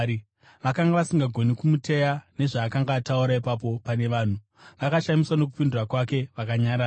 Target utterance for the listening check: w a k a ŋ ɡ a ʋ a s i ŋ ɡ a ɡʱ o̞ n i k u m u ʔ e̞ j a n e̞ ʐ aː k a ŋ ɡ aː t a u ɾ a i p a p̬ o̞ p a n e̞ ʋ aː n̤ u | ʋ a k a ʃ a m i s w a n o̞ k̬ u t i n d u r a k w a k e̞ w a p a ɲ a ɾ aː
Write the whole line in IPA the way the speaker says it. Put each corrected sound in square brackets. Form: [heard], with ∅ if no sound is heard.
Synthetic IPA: [ʋ] a k a ŋ ɡ a ʋ a s i ŋ ɡ a ɡʱ o̞ n i k u m u [t] e̞ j a n e̞ ʐ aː k a ŋ ɡ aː t a u ɾ a i p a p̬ o̞ p a n e̞ ʋ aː n̤ u | ʋ a k a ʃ a m i s w a n o̞ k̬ u [p] i n d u r a k w a k e̞ [ʋ] a [k] a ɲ a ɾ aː

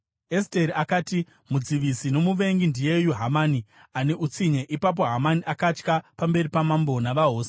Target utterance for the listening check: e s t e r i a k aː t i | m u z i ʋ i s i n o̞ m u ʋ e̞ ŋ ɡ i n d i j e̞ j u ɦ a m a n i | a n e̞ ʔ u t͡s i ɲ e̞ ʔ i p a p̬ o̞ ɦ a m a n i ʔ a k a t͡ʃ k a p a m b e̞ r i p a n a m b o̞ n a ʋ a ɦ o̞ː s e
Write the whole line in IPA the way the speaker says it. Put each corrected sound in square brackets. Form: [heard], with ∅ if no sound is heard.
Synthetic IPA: e s t e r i a k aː t i | m u [d͡z] i ʋ i s i n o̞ m u ʋ e̞ ŋ ɡ i n d i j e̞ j u ɦ a m a n i | a n e̞ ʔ u t͡s i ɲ e̞ ʔ i p a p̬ o̞ ɦ a m a n i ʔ a k a t͡ʃ k a p a m b e̞ r i p a [m] a m b o̞ n a ʋ a ɦ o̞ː s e

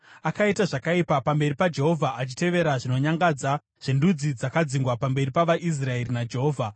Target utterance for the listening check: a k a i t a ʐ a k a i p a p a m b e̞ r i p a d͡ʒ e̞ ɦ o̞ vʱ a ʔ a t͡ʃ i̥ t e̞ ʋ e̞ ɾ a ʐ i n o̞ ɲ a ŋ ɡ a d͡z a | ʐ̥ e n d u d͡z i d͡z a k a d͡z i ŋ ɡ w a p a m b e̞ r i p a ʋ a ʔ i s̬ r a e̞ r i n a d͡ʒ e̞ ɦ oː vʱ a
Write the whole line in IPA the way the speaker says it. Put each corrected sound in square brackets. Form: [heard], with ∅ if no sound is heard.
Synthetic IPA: a k a i t a ʐ a k a i p a p a m b e̞ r i p a d͡ʒ e̞ ɦ o̞ vʱ a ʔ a t͡ʃ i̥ t e̞ ʋ e̞ ɾ a ʐ i n o̞ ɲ a ŋ ɡ a d͡z a | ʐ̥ e n d u d͡z i d͡z a k a d͡z i ŋ ɡ w a p a m b e̞ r i p a ʋ a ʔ i s̬ r a e̞ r i n a d͡ʒ e̞ ɦ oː vʱ a

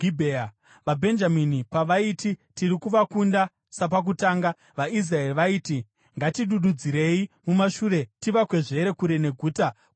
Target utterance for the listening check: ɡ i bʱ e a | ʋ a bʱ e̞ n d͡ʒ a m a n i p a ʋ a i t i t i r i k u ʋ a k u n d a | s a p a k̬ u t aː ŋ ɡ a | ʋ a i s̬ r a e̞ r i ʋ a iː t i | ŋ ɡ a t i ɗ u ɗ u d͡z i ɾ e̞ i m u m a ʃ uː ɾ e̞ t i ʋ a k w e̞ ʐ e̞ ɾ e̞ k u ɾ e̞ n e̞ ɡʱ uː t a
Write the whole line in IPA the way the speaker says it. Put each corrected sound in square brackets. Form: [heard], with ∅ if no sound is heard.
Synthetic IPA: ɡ i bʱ e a | ʋ a bʱ e̞ n d͡ʒ a m [i] n i p a ʋ a i t i t i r i k u ʋ a k u n d a | s a p a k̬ u t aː ŋ ɡ a | ʋ a i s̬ r a e̞ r i ʋ a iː t i | ŋ ɡ a t i ɗ u ɗ u d͡z i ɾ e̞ i m u m a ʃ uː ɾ e̞ t i ʋ a k w e̞ ʐ e̞ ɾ e̞ k u ɾ e̞ n e̞ ɡʱ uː t a

